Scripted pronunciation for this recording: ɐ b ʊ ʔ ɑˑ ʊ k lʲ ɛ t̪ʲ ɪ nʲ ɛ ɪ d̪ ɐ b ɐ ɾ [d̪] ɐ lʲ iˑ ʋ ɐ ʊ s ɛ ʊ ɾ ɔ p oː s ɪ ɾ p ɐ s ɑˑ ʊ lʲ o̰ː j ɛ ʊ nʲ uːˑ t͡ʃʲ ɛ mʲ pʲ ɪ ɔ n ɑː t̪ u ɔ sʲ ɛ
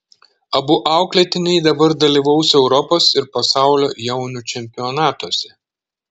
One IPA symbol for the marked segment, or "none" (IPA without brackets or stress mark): d̪